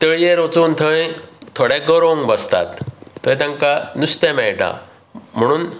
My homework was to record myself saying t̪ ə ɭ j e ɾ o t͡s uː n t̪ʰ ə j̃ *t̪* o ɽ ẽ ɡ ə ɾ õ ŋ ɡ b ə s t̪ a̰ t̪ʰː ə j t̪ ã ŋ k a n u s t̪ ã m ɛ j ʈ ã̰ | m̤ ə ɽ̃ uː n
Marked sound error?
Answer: yes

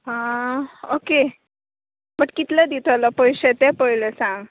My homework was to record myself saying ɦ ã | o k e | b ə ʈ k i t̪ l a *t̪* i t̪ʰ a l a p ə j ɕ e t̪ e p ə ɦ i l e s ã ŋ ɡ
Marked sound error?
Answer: yes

